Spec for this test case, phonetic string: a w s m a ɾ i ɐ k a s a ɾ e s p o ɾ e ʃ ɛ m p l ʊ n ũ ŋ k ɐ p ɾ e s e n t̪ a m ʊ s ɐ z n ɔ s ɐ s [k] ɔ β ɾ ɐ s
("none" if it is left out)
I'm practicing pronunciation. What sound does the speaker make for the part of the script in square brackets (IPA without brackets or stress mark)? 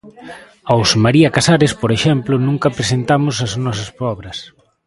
p